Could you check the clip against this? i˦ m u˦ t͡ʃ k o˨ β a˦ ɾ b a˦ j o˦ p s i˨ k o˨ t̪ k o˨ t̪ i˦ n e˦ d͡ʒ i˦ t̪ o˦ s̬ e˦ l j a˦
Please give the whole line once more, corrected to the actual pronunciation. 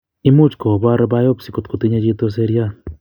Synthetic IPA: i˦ m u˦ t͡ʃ k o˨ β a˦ ɾ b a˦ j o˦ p s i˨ k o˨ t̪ k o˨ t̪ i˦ ɲ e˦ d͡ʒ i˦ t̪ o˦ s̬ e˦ ɾ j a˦